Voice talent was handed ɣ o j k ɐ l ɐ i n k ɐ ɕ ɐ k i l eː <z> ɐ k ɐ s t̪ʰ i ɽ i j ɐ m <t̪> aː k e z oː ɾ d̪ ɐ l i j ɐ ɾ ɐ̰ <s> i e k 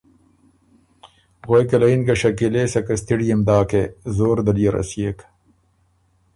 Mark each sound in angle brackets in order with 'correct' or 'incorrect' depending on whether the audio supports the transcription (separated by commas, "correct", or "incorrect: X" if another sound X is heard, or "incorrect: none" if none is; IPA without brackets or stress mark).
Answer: incorrect: s, incorrect: d̪, correct